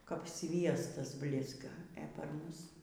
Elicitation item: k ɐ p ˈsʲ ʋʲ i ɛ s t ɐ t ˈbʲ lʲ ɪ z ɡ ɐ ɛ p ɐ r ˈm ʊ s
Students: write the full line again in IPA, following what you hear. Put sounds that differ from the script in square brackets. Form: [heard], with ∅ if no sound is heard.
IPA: k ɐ p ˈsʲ ʋʲ i ɛ s t ɐ [s] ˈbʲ lʲ ɪ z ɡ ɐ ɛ p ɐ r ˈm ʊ s